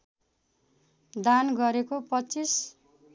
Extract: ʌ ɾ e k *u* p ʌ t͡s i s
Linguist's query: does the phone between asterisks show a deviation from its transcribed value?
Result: yes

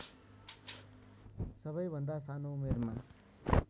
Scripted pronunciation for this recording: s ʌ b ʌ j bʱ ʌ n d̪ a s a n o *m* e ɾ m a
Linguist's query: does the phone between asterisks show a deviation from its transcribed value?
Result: no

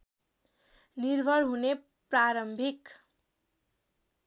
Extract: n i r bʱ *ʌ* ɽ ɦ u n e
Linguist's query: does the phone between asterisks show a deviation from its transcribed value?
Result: no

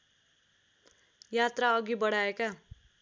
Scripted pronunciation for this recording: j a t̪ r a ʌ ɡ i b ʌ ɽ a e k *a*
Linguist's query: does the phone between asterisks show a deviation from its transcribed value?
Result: no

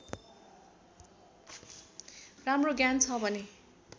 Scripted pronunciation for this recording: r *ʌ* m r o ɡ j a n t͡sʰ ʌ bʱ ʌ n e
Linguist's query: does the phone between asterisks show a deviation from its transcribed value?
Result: yes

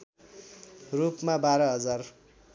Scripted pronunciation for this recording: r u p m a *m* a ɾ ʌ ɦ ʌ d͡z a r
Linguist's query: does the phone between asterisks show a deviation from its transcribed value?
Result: yes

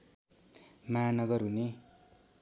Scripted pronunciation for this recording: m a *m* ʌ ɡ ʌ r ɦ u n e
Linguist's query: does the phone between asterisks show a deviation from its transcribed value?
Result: yes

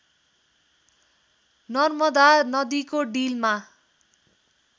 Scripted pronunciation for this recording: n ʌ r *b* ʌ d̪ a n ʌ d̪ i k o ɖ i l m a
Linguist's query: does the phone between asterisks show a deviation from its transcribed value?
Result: yes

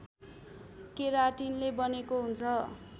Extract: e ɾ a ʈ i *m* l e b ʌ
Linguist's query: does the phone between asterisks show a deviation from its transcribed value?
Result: yes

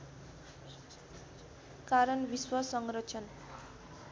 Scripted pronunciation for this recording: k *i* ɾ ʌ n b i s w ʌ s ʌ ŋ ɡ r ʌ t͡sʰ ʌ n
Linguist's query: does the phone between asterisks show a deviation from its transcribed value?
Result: yes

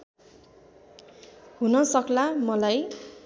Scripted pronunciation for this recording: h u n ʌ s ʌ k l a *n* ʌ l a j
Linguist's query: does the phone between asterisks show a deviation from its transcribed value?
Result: yes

